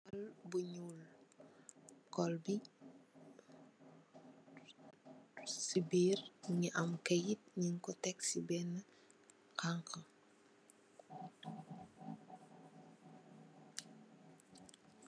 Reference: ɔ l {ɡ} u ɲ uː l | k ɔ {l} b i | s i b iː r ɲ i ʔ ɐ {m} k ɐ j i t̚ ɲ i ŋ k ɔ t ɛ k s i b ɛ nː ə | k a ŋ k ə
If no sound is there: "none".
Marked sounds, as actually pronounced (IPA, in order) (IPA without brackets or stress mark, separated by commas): b, l, m